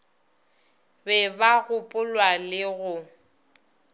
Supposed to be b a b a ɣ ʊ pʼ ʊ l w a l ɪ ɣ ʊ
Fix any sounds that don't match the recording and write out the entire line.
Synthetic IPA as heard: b ɛ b a ɣ ʊ pʼ ʊ l w a l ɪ ɣ ʊ